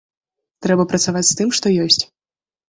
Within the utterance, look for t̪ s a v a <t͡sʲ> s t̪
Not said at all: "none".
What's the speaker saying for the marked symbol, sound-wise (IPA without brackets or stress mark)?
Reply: t͡sʲ